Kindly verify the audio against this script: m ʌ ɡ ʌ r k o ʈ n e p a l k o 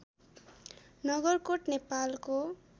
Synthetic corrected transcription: n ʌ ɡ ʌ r k o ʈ n e p a l k o